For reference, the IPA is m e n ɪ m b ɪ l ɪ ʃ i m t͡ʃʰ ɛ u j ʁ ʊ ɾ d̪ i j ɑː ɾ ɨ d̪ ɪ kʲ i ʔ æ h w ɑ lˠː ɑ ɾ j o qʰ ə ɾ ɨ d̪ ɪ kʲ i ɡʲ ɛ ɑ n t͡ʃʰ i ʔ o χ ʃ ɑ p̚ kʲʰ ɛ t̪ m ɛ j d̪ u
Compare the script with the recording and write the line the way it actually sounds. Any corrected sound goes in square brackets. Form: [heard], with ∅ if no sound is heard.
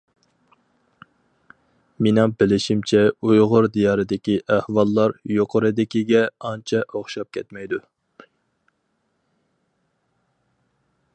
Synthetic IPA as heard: m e n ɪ [ŋ] b ɪ l ɪ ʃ i m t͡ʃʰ ɛ u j ʁ ʊ ɾ d̪ i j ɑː ɾ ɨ d̪ ɪ kʲ i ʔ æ h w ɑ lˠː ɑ ɾ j o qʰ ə ɾ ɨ d̪ ɪ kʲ i ɡʲ ɛ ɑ n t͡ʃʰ [ɛ] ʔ o χ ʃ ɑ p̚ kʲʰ ɛ t̪ m ɛ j d̪ u